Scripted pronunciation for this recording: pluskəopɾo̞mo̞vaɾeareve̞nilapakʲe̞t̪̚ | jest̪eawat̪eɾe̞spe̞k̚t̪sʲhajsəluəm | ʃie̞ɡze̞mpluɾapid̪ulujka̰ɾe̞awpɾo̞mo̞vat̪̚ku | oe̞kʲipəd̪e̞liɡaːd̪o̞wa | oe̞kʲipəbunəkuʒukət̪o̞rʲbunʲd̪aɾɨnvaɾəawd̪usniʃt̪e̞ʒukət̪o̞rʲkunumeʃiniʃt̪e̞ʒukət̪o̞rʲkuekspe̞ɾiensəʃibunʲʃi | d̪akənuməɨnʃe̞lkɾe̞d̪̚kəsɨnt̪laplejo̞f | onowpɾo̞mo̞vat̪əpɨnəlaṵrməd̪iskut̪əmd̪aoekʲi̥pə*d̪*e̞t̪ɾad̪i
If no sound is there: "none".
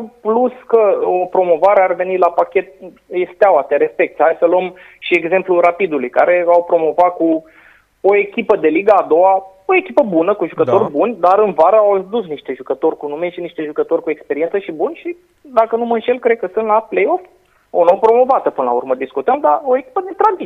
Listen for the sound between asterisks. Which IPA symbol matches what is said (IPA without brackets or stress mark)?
d̪